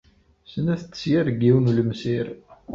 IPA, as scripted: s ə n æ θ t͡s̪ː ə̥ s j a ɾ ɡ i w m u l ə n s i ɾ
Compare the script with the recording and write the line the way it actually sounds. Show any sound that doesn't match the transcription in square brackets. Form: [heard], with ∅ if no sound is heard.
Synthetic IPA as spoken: s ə n æ θ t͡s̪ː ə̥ s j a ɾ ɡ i w [n] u l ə [m] s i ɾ